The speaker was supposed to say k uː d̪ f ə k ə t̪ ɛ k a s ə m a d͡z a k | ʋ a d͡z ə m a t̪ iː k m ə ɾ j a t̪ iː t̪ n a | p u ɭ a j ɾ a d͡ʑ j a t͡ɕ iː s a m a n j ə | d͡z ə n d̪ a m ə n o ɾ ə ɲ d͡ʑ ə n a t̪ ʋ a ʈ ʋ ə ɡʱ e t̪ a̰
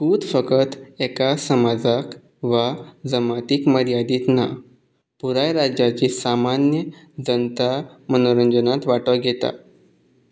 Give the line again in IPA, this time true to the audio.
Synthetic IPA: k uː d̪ f ə k ə t̪ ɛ k a s ə m a d͡z a k | ʋ a d͡z ə m a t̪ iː k m ə ɾ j a d̪ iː t̪ n a | p u ɾ a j ɾ a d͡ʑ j a t͡ɕ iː s a m a n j ə | d͡z ə n t̪ a m ə n o ɾ ə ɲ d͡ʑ ə n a t̪ ʋ a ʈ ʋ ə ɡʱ e t̪ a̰